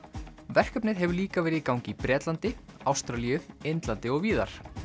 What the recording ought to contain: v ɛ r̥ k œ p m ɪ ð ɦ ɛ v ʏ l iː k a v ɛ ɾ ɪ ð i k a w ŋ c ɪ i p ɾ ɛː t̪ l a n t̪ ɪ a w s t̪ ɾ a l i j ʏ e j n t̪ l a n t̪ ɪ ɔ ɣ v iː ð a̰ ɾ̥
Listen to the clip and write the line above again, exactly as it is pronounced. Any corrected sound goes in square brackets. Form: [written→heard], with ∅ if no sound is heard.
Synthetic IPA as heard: v ɛ r̥ k œ p [m→n] ɪ ð ɦ ɛ v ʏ l iː k a v [ɛ→ɛː] ɾ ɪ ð i k a w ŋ c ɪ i p ɾ ɛː t̪ l a n t̪ ɪ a w s t̪ ɾ a l i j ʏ e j n t̪ l a n t̪ ɪ ɔ ɣ v iː ð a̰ ɾ̥